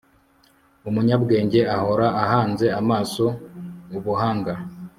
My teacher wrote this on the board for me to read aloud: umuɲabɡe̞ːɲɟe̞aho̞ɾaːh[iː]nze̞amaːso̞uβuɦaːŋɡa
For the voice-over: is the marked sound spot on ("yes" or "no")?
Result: no